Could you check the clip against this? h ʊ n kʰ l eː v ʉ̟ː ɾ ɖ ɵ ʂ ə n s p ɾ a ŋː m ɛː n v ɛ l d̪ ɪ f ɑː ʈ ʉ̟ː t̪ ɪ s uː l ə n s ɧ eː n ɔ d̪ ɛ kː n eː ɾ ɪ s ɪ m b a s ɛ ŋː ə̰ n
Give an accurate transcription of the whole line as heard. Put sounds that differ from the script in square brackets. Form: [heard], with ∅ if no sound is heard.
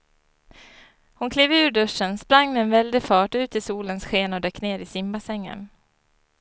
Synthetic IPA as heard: h ʊ n kʰ l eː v ʉ̟ː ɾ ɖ ɵ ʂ ə n s p ɾ a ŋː m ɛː n v ɛ l d̪ ɪ f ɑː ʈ ʉ̟ː t̪ ɪ s uː l ə n s ɧ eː n ɔ d̪ ɛ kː n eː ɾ ɪ s ɪ m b a s ɛ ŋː ə̰ n